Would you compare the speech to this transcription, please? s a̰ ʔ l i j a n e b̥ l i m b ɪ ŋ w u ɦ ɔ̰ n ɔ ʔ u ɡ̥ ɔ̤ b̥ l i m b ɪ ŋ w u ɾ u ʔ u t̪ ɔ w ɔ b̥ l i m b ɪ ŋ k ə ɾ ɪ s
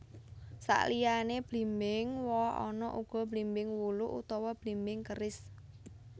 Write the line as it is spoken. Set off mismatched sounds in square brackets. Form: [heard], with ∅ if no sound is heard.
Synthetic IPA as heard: s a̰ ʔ l i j a n e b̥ l i m b ɪ ŋ w [ɔ] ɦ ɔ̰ n ɔ ʔ u ɡ̥ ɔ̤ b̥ l i m b ɪ ŋ w u [l] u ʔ u t̪ ɔ w ɔ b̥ l i m b ɪ ŋ k ə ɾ ɪ s